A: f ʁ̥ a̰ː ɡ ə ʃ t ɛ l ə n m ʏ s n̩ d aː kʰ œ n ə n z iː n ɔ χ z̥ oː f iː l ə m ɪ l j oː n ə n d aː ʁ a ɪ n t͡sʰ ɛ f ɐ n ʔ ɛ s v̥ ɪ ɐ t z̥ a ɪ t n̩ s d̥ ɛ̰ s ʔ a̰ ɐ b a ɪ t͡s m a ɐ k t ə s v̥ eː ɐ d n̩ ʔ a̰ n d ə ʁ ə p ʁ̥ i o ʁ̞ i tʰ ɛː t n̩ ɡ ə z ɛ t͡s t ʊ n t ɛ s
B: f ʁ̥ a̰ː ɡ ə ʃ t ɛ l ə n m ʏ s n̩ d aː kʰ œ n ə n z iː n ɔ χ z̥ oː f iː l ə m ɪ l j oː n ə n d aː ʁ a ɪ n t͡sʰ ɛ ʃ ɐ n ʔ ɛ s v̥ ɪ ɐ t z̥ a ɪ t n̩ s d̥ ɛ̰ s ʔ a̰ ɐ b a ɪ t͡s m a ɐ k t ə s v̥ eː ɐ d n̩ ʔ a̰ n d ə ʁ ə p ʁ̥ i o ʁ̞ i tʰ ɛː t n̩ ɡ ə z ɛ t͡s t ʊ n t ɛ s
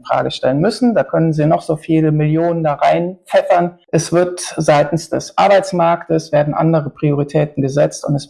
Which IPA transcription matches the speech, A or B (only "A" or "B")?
A